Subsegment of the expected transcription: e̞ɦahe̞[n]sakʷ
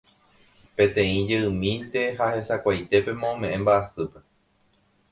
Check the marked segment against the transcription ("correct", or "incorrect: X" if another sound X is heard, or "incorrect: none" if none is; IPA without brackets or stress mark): incorrect: none